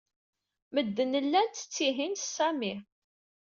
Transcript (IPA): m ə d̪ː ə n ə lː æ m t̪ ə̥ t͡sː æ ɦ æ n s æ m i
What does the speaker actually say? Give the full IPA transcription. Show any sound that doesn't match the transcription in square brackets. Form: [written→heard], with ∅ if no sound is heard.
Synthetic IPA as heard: m ə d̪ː ə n ə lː æ [m→n] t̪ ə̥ t͡sː [æ→i] ɦ [æ→i] n s æ m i